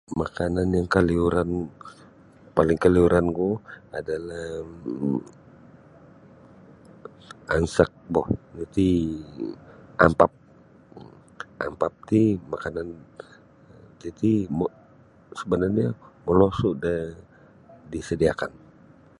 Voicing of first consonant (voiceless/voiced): voiced